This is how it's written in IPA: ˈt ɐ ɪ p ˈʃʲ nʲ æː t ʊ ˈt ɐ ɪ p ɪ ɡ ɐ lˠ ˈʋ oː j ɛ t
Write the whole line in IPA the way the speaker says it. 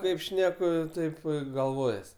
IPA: ˈk ɐ ɪ p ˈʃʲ nʲ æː k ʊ ˈt ɐ ɪ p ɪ ɡ ɐ lˠ ˈʋ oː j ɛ s